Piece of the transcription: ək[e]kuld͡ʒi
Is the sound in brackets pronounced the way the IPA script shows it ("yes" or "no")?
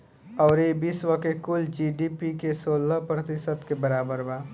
yes